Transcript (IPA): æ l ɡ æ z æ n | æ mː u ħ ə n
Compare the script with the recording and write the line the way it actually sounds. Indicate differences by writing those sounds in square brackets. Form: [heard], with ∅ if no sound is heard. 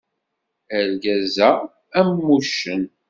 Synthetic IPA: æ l ɡ æ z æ [∅] | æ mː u [ʃ] ə n